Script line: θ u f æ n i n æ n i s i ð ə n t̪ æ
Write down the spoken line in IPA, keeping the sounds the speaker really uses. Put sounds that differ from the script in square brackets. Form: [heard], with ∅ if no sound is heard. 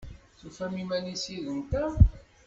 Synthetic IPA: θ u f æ [m] i [m] æ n i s i ð ə n t̪ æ